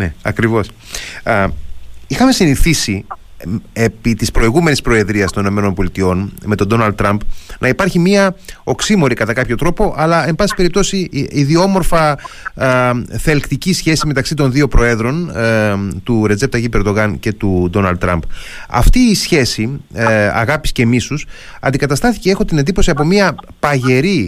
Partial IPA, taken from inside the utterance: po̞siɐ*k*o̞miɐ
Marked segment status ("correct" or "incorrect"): incorrect